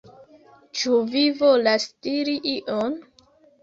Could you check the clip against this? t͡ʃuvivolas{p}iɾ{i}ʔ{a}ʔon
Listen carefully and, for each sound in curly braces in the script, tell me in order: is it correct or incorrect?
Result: incorrect: t, correct, incorrect: i

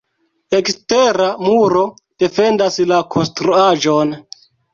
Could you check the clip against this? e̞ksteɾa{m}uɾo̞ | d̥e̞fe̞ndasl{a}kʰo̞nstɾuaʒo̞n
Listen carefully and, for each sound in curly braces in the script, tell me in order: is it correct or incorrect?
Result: correct, correct

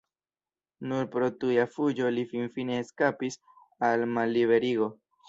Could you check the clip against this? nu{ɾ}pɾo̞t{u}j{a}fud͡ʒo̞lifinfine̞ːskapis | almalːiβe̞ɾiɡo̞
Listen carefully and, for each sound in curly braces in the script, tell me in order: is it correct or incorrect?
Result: correct, correct, correct

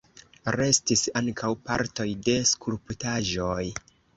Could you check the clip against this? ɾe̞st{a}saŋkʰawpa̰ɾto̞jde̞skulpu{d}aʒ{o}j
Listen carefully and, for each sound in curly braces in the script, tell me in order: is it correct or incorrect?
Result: incorrect: i, incorrect: t, correct

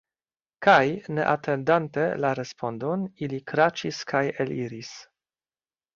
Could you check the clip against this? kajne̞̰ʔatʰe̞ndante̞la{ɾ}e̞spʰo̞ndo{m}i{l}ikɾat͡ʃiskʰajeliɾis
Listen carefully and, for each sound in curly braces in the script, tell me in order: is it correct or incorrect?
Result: correct, incorrect: n, correct

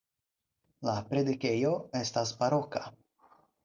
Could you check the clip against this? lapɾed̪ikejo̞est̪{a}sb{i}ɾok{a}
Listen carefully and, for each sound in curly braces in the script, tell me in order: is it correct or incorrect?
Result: correct, incorrect: a, correct

